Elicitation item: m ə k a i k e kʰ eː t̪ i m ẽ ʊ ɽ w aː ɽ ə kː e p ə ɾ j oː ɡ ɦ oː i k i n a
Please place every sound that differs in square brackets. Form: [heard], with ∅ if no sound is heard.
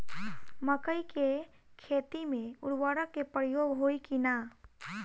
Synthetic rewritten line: m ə k [ə] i k e kʰ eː t̪ i m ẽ ʊ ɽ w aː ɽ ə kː e p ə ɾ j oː ɡ ɦ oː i k i n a